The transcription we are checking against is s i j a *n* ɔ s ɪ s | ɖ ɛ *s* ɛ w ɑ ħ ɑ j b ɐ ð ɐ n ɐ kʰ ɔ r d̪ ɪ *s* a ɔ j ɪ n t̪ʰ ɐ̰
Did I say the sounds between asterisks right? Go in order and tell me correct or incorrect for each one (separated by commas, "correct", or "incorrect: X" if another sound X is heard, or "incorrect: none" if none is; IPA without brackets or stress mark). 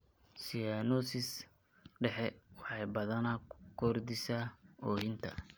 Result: correct, incorrect: ħ, correct